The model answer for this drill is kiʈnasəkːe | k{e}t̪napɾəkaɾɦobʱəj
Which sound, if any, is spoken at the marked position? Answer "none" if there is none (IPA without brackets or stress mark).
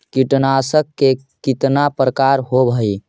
i